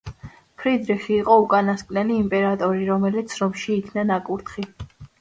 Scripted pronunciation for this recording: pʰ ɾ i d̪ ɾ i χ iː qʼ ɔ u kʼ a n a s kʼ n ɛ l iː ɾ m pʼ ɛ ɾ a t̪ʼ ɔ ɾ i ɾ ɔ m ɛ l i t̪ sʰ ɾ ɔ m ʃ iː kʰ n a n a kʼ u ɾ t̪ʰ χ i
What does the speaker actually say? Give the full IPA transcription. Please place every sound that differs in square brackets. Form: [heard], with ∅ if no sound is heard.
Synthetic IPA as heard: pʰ ɾ i d̪ ɾ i χ iː qʼ ɔ u kʼ a n a s kʼ n ɛ l iː [∅] m pʼ ɛ ɾ a t̪ʼ ɔ ɾ i ɾ ɔ m ɛ l i t̪ sʰ ɾ ɔ m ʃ iː kʰ n a n a kʼ u ɾ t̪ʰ χ i